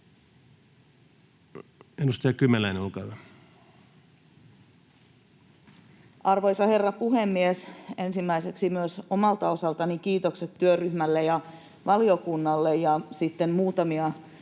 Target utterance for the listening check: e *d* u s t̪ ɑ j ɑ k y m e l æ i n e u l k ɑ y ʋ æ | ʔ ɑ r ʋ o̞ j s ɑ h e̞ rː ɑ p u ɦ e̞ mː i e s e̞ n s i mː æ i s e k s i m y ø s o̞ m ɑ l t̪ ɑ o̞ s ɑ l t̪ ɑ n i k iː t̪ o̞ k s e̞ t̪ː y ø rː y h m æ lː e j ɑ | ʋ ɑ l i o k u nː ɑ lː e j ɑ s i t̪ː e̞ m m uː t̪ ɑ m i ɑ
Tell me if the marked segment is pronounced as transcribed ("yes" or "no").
no